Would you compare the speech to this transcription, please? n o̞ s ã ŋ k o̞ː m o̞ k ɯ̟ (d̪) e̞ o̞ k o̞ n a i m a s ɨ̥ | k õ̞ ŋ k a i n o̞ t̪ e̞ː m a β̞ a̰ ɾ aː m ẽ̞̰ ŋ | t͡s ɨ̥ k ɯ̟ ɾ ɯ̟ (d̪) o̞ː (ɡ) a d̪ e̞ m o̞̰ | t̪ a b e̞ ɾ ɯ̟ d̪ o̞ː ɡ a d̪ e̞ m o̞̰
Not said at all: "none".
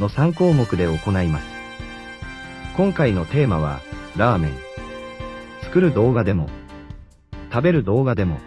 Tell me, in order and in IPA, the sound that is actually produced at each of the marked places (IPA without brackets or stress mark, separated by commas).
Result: d̪, d̪, ɡ